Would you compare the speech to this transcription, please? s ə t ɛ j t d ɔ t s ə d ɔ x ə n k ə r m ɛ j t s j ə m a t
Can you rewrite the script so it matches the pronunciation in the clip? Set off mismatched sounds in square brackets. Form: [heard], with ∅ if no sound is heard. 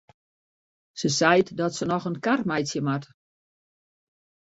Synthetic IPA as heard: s ə [s] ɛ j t d ɔ t s ə [n] ɔ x ə n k [a] r m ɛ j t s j ə m a t